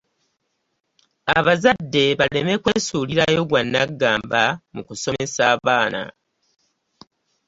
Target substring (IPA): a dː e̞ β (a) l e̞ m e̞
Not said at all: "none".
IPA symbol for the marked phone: a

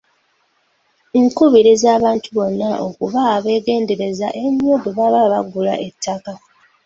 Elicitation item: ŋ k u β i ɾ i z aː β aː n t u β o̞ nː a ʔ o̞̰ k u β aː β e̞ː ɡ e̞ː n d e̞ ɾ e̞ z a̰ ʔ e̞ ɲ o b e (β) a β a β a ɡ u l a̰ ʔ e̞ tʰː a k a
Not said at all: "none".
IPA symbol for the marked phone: β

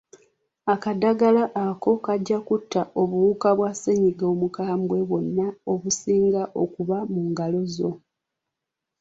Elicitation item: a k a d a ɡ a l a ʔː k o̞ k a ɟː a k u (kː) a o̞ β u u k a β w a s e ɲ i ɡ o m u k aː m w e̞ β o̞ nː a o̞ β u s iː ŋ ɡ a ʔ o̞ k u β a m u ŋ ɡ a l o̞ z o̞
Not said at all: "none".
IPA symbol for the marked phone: tː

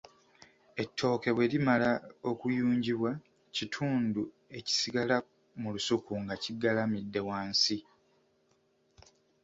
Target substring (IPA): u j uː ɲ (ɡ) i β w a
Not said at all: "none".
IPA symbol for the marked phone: ɟ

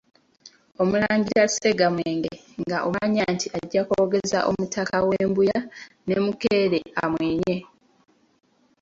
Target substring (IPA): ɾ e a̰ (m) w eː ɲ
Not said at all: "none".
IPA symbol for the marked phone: m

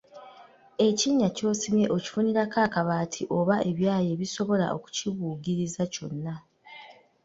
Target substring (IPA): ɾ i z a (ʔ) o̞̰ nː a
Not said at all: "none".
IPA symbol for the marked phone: c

